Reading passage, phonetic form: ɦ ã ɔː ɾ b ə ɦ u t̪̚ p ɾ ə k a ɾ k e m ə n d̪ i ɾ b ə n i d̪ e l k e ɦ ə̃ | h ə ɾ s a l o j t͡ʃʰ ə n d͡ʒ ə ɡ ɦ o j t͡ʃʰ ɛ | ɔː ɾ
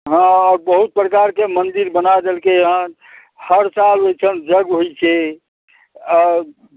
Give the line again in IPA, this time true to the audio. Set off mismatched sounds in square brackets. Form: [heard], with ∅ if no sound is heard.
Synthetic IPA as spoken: ɦ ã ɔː ɾ b ə ɦ u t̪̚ p ɾ ə k a ɾ k e m ə n d̪ i ɾ b ə n [a] d̪ e l k e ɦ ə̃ | h ə ɾ s a l o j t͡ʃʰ ə n d͡ʒ ə ɡ ɦ o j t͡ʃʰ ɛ | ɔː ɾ